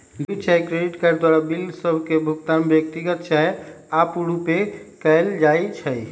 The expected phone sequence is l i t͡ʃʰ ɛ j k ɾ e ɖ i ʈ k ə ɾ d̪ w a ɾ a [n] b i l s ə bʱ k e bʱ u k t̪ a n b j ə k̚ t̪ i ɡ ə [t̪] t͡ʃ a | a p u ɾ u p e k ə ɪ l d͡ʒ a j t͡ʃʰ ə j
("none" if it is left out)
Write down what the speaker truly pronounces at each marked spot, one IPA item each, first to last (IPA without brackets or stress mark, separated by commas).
none, t̪